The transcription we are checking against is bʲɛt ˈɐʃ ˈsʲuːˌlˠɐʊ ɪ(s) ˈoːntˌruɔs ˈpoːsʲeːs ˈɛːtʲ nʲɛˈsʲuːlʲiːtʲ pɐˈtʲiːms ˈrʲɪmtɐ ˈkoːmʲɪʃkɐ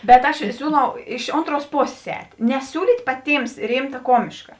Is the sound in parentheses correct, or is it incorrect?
incorrect